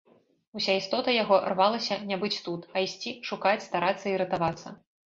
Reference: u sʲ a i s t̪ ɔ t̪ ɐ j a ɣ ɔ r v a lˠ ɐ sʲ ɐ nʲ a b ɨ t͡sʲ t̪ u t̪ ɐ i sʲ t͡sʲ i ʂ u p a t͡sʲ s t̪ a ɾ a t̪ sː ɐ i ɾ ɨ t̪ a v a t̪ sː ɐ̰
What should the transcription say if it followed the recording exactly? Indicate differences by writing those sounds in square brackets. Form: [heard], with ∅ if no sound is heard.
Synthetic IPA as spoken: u sʲ a i s t̪ ɔ t̪ ɐ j a ɣ ɔ r v a lˠ ɐ sʲ ɐ nʲ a b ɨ t͡sʲ t̪ u t̪ ɐ i sʲ t͡sʲ i ʂ u [k] a t͡sʲ s t̪ a ɾ a t̪ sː ɐ i ɾ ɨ t̪ a v a t̪ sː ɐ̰